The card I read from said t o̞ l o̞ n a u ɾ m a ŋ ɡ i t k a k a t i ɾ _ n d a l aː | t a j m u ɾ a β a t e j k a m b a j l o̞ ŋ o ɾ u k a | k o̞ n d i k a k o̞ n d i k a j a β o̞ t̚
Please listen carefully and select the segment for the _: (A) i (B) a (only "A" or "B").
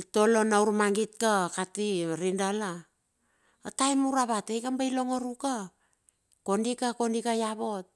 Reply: A